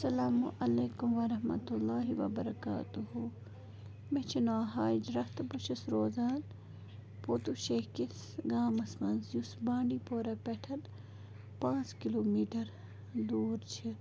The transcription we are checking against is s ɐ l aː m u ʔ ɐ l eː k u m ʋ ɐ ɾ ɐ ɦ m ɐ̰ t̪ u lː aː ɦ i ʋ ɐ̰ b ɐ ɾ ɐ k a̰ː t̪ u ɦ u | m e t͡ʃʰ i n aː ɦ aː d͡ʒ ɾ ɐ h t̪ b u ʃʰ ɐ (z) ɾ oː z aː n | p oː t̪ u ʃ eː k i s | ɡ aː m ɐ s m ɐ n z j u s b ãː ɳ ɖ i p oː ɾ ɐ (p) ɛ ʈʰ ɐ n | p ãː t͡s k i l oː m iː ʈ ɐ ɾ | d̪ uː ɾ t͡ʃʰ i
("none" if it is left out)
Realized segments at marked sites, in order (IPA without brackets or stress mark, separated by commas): s, p